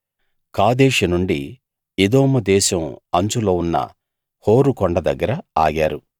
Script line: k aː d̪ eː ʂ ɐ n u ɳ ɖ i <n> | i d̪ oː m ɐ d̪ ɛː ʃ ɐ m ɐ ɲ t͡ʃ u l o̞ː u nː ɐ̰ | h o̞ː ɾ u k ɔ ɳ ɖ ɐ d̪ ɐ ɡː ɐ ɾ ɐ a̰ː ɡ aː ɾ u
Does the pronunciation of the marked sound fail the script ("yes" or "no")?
yes